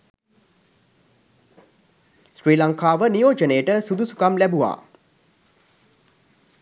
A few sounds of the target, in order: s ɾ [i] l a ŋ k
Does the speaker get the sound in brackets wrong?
yes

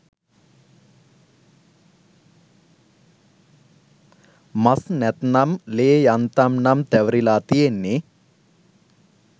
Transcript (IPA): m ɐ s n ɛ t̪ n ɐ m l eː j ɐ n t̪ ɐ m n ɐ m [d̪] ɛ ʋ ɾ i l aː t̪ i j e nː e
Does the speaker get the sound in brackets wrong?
yes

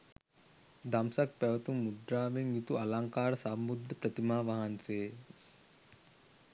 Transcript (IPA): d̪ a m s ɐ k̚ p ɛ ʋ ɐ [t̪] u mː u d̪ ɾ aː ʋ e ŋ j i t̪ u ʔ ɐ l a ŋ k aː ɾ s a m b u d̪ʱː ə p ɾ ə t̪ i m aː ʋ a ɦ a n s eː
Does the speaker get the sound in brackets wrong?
no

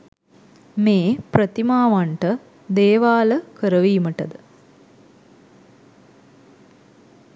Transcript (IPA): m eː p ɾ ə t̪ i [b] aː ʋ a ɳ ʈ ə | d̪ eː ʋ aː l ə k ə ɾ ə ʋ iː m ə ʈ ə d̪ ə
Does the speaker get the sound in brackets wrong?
yes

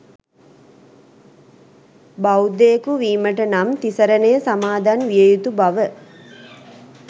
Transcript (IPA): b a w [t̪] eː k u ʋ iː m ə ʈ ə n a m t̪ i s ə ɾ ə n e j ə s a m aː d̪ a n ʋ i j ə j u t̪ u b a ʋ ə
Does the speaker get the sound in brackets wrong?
yes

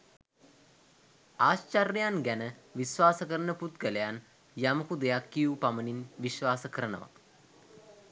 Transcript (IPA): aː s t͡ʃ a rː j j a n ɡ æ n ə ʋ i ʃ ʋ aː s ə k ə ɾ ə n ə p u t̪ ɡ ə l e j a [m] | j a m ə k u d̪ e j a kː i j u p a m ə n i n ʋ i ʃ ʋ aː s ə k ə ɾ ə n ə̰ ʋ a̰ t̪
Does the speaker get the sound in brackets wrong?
yes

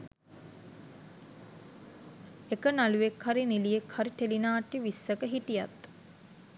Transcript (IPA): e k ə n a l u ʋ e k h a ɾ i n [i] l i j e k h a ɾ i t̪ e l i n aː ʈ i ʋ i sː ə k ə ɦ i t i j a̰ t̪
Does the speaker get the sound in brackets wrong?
no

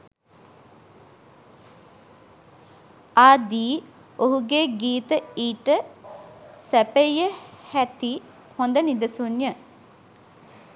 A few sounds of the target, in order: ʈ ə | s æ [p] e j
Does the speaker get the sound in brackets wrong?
no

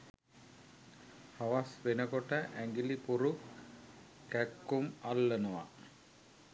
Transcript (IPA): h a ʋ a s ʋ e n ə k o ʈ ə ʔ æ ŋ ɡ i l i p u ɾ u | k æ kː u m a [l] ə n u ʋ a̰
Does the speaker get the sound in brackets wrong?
yes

